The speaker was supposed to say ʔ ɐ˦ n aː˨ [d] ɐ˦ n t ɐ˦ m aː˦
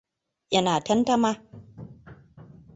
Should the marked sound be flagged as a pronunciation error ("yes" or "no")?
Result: yes